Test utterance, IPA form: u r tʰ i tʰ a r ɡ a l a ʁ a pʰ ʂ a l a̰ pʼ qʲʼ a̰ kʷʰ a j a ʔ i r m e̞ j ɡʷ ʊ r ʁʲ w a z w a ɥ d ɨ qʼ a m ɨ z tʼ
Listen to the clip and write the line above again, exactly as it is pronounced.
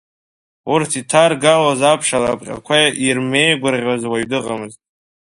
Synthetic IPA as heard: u r tʰ i tʰ a r ɡ a l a z a pʰ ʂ a l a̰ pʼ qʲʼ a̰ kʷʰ a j a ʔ i r m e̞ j ɡʷ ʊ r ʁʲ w a z w a ɥ d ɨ qʼ a m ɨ z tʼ